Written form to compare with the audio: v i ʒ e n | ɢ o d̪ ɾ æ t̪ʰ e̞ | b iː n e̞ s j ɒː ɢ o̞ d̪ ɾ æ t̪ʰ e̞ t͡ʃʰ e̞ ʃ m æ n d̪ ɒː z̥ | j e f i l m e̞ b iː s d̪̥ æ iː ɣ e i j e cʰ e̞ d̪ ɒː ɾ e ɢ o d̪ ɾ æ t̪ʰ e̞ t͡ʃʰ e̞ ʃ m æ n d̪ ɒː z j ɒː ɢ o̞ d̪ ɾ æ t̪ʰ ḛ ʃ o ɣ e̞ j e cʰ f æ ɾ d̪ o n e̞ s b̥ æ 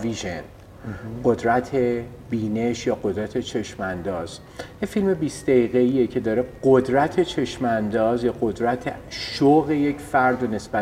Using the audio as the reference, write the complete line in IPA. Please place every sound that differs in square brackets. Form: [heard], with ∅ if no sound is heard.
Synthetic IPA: v i ʒ e n | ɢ o d̪ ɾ æ t̪ʰ e̞ | b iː n e̞ [ʃ] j ɒː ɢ o̞ d̪ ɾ æ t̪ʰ e̞ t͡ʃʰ e̞ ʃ m æ n d̪ ɒː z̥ | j e f i l m e̞ b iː s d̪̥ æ iː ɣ e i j e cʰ e̞ d̪ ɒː ɾ e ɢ o d̪ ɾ æ t̪ʰ e̞ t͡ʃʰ e̞ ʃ m æ n d̪ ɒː z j ɒː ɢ o̞ d̪ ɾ æ t̪ʰ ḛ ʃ o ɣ e̞ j e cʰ f æ ɾ d̪ o n e̞ s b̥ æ